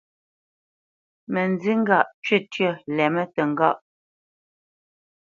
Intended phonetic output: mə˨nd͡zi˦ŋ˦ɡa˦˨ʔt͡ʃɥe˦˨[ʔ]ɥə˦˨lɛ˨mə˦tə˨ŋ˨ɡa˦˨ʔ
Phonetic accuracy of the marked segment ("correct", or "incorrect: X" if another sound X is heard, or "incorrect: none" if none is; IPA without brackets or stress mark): incorrect: t